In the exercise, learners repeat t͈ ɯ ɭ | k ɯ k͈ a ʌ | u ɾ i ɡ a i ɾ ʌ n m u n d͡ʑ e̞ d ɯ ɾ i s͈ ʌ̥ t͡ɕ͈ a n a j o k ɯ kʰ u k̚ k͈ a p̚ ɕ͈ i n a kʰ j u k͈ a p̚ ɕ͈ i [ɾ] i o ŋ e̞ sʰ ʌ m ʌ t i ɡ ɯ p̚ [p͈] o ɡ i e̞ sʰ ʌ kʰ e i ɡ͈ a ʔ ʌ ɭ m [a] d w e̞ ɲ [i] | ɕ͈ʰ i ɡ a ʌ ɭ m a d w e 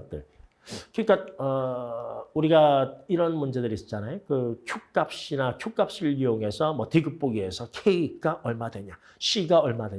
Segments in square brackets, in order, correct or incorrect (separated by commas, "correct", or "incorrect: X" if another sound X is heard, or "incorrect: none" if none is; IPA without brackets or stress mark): incorrect: ɭ, correct, correct, incorrect: a